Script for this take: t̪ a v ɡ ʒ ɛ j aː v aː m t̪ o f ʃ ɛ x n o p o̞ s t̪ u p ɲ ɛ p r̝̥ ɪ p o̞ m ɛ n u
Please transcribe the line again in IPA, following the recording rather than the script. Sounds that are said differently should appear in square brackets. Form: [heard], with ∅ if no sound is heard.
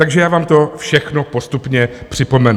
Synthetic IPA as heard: t̪ a [∅] ɡ ʒ ɛ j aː v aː m t̪ o f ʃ ɛ x n o p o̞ s t̪ u p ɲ ɛ p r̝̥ ɪ p o̞ m ɛ n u